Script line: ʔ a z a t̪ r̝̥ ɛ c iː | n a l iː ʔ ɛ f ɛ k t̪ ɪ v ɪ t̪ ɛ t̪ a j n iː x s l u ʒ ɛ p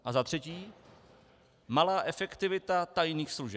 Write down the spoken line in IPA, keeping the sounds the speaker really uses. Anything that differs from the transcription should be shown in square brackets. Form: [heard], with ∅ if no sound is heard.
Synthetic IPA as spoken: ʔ a z a t̪ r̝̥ ɛ c iː | [m] a l [aː] ʔ ɛ f ɛ k t̪ ɪ v ɪ t̪ [a] t̪ a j n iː x s l u ʒ ɛ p